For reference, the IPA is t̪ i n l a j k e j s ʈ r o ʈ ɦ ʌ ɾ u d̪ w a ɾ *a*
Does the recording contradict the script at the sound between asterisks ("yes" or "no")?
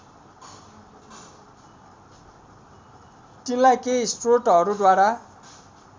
no